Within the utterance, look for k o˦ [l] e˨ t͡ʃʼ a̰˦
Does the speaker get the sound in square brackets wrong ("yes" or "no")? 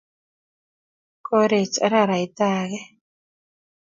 yes